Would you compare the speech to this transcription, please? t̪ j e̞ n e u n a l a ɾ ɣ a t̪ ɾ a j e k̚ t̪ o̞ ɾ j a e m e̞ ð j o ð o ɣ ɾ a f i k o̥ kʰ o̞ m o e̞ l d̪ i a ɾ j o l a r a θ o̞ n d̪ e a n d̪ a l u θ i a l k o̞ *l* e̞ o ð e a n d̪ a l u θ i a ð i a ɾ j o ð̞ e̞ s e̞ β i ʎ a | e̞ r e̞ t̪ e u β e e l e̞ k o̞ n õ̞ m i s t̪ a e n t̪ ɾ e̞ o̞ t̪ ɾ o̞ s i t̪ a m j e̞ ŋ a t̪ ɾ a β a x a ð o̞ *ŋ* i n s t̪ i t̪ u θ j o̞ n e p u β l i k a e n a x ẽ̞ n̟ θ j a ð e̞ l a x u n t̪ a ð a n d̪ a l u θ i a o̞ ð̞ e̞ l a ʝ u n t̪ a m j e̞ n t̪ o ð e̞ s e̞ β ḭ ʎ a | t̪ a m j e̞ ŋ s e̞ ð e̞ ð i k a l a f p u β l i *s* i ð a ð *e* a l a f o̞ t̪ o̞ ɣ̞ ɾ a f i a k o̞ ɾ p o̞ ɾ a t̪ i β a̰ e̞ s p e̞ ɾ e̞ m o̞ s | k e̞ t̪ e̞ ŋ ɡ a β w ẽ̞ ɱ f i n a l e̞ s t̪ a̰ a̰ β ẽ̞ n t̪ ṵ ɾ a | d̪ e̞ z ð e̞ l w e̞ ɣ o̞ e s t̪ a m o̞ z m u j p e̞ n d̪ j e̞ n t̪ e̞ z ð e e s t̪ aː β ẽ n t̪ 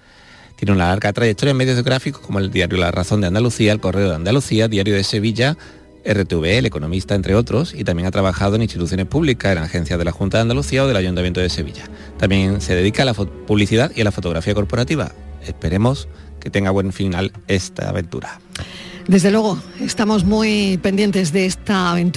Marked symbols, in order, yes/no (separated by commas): no, yes, no, no